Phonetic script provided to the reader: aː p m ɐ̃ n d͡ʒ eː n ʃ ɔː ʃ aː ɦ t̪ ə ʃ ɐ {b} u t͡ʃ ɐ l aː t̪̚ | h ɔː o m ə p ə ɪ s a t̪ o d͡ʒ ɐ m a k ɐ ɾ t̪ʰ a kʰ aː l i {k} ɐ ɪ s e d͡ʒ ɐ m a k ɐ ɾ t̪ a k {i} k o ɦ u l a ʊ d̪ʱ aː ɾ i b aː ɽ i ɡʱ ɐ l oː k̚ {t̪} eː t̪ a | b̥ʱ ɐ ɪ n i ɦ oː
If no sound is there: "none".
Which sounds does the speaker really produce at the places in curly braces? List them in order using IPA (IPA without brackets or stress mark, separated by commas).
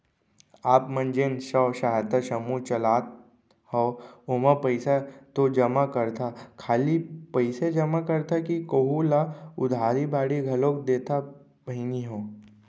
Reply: m, p, i, d̪